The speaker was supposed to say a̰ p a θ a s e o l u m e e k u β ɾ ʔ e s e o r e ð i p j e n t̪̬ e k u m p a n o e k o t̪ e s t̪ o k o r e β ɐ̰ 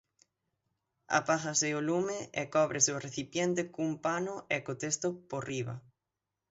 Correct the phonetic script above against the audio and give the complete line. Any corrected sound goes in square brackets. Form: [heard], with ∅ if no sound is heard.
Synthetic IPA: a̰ p a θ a s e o l u m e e k [ɔ] β ɾ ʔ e s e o r e [θ] i p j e n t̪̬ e k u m p a n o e k o t̪ e s t̪ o [p] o r [i] β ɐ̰